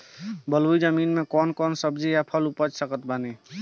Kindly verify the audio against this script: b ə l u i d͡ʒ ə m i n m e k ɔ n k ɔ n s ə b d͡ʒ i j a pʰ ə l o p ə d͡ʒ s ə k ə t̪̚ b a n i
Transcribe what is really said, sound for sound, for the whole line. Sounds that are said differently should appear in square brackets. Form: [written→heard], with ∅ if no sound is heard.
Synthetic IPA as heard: b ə l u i d͡ʒ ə m i n m e k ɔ n k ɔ n s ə b d͡ʒ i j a pʰ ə l [o→u] p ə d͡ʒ s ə k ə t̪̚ b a n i